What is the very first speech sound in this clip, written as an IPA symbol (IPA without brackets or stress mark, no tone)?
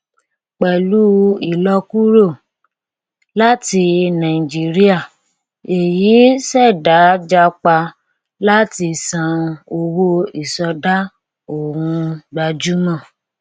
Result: k͡p